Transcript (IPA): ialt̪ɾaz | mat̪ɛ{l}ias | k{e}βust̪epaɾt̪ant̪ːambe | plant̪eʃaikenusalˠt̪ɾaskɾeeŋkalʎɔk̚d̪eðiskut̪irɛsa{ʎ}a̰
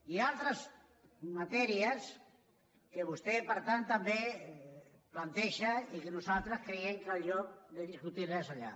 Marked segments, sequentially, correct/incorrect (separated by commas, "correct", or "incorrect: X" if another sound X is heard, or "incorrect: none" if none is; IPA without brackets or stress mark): incorrect: ɾ, correct, correct